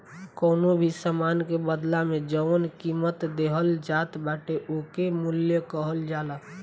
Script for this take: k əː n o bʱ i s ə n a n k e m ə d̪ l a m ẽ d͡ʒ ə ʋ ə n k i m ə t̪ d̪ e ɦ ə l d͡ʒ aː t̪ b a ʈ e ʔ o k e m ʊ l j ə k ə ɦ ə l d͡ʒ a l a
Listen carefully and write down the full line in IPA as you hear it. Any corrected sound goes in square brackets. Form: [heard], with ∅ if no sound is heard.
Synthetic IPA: k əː n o bʱ i s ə [m] a n k e [b] ə d̪ l a m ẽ d͡ʒ ə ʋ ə n k i m ə t̪ d̪ e ɦ ə l d͡ʒ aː t̪ b a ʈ e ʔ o k e m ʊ l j ə k ə ɦ ə l d͡ʒ a l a